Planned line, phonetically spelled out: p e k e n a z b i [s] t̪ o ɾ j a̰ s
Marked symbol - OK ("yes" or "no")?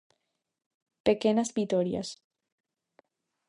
no